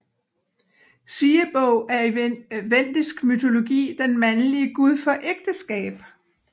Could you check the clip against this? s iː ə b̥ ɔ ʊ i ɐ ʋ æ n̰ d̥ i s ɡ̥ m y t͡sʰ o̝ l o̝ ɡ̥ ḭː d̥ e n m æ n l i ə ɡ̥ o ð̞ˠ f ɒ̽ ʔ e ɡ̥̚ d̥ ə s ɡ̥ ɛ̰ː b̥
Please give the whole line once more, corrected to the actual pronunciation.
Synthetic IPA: s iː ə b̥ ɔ ʊ æ ɐ ʋ e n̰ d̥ i s ɡ̥ m y t͡sʰ o̝ l o̝ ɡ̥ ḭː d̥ e n m æ n l i ə ɡ̥ u ð̞ˠ f ɒ̽ ʔ e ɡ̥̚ d̥ ə s ɡ̥ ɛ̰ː b̥